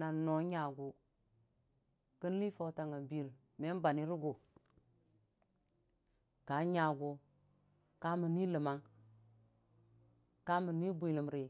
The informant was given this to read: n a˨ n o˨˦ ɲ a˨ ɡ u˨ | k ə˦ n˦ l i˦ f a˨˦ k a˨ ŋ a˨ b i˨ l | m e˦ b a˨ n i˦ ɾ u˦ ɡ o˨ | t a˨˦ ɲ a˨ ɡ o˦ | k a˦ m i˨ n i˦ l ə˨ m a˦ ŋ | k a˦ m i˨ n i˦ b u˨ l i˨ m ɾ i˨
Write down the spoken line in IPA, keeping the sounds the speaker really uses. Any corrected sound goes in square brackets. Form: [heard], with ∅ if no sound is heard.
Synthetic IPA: n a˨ n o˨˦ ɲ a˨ ɡ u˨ | k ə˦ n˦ l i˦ f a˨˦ [t] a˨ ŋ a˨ b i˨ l | m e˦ b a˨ n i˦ ɾ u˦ ɡ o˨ | [k] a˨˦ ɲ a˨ ɡ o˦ | k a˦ m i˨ n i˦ l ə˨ m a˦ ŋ | k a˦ m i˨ n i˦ b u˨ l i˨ m ɾ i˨